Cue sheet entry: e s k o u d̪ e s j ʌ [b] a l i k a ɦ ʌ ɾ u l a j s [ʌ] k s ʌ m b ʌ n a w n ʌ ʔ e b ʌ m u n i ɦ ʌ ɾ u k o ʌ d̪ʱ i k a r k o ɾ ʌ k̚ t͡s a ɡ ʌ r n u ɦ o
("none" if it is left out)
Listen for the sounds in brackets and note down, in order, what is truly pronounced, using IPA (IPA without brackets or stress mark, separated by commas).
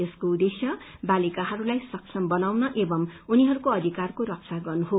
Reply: b, ʌ